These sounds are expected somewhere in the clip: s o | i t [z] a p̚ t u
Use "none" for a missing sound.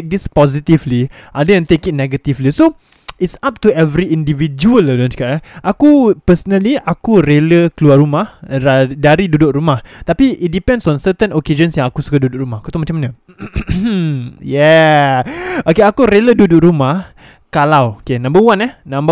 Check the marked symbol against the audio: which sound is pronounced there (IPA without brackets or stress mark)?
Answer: s